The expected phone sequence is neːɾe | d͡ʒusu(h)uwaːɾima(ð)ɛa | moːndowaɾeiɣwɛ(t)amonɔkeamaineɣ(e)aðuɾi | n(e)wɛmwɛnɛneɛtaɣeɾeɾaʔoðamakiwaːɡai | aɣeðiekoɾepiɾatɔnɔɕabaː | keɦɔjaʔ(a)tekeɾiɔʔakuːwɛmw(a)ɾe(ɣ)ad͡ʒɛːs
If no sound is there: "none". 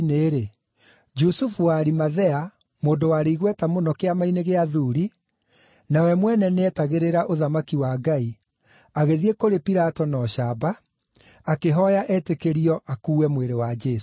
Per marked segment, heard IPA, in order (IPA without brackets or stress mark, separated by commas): f, ð, t, e, a, ɛ, e, w